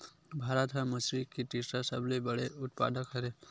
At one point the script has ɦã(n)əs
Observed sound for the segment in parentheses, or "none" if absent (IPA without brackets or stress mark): m